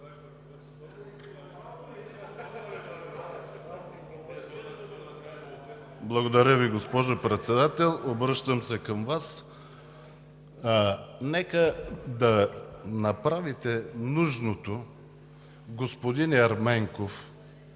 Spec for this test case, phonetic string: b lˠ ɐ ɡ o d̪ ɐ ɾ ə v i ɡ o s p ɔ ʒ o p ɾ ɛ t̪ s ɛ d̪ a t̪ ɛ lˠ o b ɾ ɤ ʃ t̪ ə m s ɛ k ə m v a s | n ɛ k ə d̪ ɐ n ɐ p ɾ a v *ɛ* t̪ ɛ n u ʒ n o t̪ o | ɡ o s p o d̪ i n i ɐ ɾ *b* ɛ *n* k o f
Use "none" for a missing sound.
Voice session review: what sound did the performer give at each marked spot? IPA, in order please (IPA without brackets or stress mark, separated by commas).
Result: i, m, ŋ